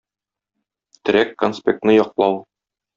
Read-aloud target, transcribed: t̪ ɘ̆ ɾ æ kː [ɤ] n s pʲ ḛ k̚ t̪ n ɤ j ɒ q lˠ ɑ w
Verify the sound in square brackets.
incorrect: o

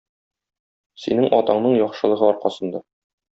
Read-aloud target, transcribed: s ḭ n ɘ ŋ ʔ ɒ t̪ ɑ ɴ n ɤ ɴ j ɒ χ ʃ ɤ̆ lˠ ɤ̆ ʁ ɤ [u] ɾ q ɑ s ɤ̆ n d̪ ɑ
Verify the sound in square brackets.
incorrect: ɒ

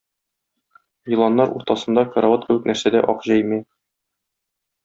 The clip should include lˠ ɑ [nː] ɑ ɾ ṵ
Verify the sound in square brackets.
correct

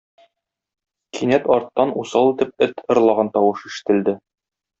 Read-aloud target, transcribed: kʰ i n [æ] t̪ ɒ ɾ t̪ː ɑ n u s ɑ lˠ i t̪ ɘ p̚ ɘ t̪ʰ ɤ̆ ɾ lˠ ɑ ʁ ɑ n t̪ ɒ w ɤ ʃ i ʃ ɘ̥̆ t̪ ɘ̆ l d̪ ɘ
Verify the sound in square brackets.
correct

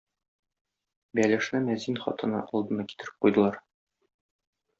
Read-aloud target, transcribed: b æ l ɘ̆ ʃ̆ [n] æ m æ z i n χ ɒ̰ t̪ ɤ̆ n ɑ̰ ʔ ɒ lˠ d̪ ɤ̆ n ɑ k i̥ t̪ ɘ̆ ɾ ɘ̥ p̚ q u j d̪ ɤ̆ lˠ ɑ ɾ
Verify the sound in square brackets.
correct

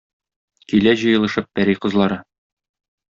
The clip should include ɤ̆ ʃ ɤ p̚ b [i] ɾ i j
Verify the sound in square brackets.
incorrect: æ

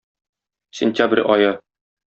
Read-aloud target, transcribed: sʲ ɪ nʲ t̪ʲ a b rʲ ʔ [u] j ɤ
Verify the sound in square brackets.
incorrect: ɒ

